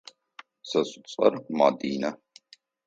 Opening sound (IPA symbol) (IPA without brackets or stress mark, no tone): s